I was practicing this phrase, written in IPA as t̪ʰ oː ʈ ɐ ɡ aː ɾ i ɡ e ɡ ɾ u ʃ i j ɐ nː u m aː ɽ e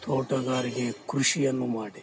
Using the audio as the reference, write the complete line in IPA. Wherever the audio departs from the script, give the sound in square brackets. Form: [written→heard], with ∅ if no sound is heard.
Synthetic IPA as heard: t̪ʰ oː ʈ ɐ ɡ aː ɾ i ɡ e [ɡ→k] ɾ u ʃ i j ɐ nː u m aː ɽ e

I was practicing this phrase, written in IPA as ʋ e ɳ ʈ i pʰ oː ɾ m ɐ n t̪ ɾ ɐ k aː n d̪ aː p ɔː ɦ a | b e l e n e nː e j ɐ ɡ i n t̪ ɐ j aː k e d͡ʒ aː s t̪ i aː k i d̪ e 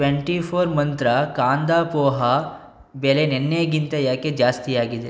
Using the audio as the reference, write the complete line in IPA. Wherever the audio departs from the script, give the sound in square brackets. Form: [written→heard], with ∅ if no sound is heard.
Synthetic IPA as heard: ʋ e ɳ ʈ i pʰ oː ɾ m ɐ n t̪ ɾ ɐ k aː n d̪ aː p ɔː ɦ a | b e l e n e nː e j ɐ ɡ i n t̪ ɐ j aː k e d͡ʒ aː s t̪ i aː [k→ɡ] i d̪ e

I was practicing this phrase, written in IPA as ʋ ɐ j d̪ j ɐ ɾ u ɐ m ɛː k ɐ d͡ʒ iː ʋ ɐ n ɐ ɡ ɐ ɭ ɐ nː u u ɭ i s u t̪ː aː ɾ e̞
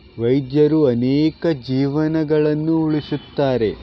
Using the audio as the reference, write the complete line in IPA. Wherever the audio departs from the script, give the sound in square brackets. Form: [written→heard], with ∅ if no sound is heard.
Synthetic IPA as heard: ʋ ɐ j d̪ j ɐ ɾ u ɐ [m→n] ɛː k ɐ d͡ʒ iː ʋ ɐ n ɐ ɡ ɐ ɭ ɐ nː u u ɭ i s u t̪ː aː ɾ e̞

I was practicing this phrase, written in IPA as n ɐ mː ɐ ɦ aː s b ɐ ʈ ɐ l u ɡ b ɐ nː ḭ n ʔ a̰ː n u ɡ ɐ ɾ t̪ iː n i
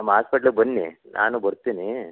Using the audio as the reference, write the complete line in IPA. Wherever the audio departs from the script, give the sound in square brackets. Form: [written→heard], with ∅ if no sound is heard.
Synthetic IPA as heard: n ɐ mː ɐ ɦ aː s [b→p] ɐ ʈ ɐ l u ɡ b ɐ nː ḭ n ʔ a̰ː n u [ɡ→b] ɐ ɾ t̪ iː n i

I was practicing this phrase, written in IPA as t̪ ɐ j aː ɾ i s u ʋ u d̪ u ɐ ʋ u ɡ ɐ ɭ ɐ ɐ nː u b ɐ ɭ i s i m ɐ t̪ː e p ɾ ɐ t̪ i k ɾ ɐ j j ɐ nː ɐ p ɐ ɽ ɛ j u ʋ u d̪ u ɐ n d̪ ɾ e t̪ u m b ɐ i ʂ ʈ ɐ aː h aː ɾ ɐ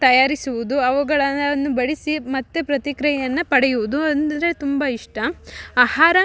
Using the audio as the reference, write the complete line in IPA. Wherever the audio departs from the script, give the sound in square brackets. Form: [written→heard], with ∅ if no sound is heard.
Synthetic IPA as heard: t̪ ɐ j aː ɾ i s u ʋ u d̪ u ɐ ʋ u ɡ ɐ ɭ ɐ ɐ nː u b ɐ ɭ i s i m ɐ t̪ː e p ɾ ɐ t̪ i k ɾ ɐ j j ɐ nː ɐ p ɐ ɽ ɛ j u ʋ u d̪ u ɐ n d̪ ɾ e t̪ u m b ɐ i ʂ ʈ ɐ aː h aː ɾ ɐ

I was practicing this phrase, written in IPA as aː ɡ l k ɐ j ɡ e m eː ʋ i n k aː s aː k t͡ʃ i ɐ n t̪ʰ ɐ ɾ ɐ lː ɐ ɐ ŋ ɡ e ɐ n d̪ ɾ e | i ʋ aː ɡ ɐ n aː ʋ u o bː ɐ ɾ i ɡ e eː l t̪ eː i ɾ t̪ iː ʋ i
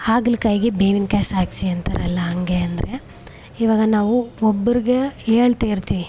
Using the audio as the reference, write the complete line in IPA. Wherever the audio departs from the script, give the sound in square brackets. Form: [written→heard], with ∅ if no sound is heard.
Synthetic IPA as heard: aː ɡ l k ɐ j ɡ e [m→b] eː ʋ i n k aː s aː k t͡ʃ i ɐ n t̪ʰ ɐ ɾ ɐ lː ɐ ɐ ŋ ɡ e ɐ n d̪ ɾ e | i ʋ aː ɡ ɐ n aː ʋ u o bː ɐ ɾ i ɡ e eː [l→ɭ] t̪ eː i ɾ t̪ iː ʋ i

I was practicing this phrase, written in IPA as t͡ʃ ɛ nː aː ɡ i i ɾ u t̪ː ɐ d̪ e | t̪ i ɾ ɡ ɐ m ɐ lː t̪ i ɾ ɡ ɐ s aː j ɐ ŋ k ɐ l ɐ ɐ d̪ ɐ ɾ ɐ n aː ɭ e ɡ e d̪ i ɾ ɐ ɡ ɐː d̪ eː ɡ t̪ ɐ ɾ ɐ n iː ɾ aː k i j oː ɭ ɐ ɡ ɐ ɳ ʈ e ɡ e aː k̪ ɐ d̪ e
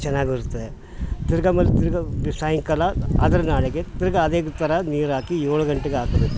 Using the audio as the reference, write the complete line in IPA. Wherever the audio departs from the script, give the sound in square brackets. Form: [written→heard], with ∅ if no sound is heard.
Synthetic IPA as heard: t͡ʃ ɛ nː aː ɡ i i ɾ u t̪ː ɐ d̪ e | t̪ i ɾ ɡ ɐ m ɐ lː t̪ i ɾ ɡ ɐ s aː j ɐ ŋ k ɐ l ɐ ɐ d̪ ɐ ɾ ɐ n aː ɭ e ɡ e [d̪→t̪] i ɾ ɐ ɡ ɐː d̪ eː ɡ t̪ ɐ ɾ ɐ n iː ɾ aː k i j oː ɭ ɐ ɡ ɐ ɳ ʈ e ɡ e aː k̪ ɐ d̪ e

